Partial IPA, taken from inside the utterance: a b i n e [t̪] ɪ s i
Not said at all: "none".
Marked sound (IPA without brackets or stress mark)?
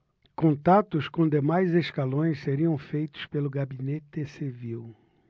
t̪